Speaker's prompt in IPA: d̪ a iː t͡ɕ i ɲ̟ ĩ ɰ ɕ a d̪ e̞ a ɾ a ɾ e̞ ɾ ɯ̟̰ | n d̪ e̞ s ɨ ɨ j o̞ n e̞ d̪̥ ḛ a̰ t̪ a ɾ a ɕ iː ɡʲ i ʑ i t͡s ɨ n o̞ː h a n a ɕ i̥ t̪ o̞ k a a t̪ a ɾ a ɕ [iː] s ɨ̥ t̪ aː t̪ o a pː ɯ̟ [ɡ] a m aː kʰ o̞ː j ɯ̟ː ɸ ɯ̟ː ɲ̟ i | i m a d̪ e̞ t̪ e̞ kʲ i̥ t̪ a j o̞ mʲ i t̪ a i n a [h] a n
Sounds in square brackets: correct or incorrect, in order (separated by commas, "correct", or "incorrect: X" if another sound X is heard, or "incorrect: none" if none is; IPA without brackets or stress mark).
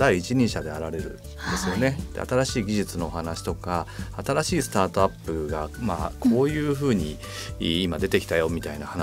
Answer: correct, correct, correct